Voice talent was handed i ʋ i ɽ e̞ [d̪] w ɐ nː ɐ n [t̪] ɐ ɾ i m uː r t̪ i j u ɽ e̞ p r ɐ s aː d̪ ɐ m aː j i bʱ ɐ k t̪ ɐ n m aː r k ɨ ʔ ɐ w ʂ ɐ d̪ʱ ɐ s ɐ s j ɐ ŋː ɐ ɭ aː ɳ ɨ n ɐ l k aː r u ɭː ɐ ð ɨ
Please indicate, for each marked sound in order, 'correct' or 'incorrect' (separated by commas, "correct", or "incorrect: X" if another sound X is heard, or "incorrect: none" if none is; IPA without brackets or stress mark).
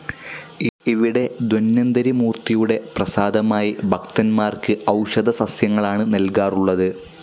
correct, incorrect: d̪